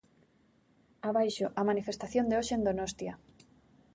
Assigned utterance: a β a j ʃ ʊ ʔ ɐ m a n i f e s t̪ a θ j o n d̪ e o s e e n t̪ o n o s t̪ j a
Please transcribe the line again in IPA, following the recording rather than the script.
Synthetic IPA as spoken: a β a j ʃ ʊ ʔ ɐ m a n i f e s t̪ a θ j o n d̪ e o ʃ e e n d̪ o n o s t̪ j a